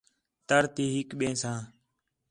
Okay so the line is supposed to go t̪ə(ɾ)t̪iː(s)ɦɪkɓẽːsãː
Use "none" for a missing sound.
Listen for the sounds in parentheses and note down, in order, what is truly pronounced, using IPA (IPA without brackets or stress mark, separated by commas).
ɾ, none